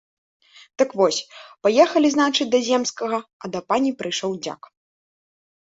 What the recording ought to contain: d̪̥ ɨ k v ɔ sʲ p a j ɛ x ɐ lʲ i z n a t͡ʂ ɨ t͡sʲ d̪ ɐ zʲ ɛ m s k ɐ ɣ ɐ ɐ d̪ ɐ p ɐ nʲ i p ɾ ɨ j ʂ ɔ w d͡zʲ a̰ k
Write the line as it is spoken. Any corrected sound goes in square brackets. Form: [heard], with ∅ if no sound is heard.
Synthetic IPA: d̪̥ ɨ k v ɔ sʲ p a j ɛ x ɐ lʲ i z n a t͡ʂ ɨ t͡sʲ d̪ ɐ zʲ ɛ m s k ɐ ɣ ɐ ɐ d̪ ɐ p [a] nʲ i p ɾ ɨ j ʂ ɔ w d͡zʲ a̰ k